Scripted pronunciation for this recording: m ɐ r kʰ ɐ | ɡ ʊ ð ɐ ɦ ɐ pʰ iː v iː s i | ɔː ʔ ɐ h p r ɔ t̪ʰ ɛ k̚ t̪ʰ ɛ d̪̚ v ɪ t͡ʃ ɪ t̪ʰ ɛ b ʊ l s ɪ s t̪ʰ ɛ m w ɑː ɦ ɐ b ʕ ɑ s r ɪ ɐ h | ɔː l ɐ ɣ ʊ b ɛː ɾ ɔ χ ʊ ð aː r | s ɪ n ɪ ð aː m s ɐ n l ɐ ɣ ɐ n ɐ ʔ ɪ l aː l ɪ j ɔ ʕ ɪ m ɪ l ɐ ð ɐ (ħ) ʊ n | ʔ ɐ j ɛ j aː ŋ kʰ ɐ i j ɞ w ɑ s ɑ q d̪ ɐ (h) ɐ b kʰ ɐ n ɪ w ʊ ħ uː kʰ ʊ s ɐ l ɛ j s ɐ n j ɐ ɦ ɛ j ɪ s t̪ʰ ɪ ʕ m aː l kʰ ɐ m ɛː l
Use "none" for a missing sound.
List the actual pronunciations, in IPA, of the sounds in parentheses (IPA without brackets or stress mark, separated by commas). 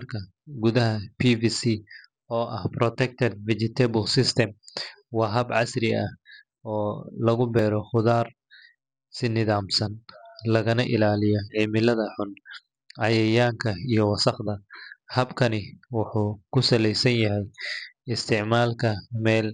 ħ, h